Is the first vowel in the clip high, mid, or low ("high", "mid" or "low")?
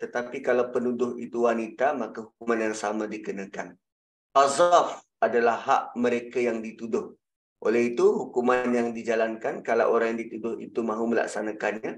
mid